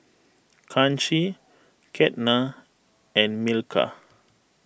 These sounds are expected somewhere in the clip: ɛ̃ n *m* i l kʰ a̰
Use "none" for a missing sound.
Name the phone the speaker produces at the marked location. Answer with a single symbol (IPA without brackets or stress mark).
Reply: m